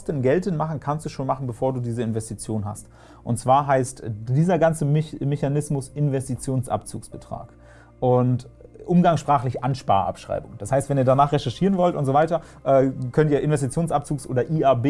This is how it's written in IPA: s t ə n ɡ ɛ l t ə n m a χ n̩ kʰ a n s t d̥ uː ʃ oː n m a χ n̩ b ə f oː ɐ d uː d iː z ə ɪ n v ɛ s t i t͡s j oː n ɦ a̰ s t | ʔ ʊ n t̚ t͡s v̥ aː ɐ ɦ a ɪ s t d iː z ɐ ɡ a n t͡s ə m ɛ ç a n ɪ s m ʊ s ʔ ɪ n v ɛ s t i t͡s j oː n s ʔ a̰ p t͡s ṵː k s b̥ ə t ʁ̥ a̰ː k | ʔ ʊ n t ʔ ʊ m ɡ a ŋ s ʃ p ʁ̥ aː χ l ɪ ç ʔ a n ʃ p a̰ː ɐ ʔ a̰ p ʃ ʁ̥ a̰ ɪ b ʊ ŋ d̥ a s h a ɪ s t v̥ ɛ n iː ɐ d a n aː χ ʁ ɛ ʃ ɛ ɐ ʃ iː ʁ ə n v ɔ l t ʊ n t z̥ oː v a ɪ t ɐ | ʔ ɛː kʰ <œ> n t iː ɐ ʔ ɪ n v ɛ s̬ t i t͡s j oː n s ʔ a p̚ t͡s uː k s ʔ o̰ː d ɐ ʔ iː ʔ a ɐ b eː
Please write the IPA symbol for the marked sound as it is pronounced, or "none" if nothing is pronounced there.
œ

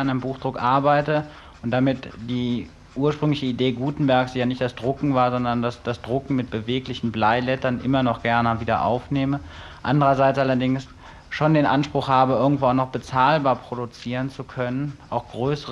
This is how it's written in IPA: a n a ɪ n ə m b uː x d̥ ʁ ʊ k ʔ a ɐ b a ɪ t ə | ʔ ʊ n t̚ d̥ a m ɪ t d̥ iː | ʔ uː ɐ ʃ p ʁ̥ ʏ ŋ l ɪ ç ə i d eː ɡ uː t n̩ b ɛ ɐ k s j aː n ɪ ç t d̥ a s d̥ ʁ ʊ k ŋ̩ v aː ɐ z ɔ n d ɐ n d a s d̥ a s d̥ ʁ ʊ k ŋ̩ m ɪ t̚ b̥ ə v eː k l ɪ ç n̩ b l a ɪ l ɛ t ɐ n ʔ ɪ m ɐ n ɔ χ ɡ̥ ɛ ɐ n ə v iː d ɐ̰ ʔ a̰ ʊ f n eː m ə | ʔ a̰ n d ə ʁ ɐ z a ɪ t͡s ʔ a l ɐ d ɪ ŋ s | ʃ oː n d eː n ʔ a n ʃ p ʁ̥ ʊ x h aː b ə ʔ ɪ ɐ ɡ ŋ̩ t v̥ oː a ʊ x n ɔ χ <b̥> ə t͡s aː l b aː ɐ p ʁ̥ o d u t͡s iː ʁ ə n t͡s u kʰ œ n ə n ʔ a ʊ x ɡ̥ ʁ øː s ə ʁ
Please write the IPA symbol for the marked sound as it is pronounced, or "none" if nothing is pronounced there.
b̥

